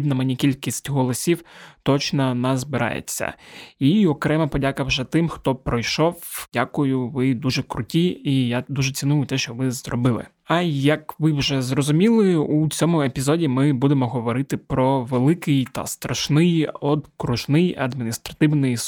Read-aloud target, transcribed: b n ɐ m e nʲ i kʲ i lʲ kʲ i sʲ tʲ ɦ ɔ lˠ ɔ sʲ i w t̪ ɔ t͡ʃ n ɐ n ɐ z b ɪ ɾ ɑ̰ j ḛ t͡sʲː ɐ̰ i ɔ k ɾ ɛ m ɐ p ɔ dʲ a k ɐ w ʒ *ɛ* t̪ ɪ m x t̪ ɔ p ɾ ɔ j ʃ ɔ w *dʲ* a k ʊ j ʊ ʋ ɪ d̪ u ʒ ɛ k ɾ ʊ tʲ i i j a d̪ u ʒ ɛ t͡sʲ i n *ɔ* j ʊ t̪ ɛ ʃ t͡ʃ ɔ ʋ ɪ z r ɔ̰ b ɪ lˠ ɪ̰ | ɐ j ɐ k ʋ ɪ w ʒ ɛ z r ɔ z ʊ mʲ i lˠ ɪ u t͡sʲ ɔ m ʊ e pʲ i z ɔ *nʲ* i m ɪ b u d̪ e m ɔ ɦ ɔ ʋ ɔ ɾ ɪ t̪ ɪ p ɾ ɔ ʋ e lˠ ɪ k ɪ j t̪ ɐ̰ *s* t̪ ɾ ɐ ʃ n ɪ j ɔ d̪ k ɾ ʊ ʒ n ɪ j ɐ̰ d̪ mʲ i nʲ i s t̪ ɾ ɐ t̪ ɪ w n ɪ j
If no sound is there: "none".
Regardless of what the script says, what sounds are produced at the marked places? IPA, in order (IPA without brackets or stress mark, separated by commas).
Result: ɛ, dʲ, u, dʲ, s